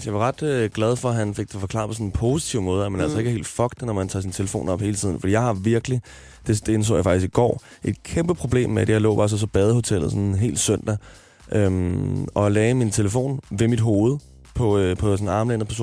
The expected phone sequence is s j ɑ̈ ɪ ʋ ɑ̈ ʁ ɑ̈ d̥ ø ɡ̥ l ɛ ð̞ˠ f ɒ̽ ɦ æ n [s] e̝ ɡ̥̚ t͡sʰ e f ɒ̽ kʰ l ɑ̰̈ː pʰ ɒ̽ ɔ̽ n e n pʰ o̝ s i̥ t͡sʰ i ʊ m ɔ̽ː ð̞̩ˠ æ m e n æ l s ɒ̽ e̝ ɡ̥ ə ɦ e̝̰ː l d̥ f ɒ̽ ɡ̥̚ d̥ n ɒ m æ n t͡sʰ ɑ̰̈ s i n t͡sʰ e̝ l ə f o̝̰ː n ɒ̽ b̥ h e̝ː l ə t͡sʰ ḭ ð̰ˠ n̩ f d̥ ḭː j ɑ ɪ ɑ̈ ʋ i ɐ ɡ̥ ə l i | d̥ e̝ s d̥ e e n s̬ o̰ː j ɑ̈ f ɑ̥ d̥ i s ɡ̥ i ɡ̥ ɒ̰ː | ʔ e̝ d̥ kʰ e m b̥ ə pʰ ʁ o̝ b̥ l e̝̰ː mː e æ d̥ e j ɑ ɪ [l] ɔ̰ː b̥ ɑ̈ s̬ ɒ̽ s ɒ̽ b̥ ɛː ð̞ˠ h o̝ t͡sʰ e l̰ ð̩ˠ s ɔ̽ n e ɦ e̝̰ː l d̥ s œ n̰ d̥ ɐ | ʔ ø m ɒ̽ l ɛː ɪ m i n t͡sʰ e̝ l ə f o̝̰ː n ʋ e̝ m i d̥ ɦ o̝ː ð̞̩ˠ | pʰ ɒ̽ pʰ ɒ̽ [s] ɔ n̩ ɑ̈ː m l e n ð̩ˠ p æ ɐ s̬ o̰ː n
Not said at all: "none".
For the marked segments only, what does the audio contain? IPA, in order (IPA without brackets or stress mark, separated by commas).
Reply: f, l, s